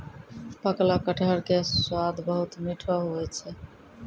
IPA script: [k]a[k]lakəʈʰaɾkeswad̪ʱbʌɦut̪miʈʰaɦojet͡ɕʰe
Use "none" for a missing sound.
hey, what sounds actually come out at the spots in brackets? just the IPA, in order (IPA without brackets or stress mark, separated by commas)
p, k